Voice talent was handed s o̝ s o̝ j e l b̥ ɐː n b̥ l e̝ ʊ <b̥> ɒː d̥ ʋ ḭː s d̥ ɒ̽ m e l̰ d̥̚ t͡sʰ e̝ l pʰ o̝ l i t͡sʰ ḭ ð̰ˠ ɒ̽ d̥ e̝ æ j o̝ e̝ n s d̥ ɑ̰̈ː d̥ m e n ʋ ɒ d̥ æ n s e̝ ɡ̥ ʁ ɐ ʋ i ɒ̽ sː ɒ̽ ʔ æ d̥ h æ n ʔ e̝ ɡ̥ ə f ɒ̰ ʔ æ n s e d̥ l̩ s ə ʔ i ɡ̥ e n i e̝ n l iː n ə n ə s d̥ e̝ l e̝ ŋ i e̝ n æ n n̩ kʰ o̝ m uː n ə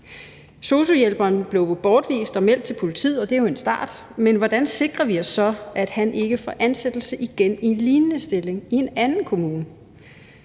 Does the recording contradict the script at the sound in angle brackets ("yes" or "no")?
no